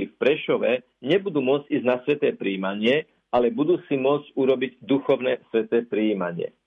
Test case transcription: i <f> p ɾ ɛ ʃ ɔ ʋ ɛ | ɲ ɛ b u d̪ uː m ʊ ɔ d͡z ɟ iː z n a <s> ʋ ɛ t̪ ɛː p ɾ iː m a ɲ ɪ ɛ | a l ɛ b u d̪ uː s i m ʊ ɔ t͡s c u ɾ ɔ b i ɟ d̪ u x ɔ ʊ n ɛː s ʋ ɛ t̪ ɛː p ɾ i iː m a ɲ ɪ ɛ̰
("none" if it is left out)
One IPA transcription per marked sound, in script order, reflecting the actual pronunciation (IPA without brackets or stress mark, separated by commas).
f, s